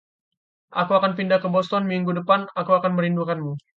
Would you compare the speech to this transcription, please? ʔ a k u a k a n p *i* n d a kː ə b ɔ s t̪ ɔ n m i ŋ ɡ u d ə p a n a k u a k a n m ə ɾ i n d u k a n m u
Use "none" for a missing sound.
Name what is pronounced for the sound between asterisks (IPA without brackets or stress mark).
i